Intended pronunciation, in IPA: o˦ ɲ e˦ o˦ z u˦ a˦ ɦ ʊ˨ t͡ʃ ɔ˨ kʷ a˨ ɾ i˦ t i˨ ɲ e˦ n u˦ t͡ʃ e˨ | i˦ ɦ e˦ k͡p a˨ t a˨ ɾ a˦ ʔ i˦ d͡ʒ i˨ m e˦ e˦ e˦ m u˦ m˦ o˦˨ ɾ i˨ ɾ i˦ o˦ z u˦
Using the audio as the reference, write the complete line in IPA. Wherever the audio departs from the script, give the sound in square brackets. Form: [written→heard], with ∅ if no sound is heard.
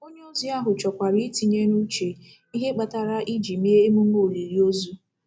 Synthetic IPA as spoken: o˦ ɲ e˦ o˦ z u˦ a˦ ɦ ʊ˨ t͡ʃ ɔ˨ kʷ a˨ ɾ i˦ t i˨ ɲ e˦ n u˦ t͡ʃ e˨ | i˦ ɦ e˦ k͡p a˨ t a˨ ɾ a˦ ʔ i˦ d͡ʒ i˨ m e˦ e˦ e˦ m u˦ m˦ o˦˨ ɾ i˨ ɾ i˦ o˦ z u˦